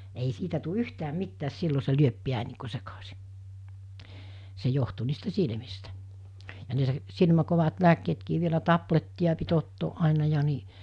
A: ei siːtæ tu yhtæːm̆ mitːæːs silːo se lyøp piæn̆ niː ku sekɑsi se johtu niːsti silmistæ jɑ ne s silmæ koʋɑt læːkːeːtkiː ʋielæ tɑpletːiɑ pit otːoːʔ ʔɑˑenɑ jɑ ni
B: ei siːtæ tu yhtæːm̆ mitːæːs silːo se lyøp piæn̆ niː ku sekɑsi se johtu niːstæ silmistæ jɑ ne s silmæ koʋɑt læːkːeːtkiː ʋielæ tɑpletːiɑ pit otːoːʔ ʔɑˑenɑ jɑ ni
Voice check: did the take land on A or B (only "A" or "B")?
B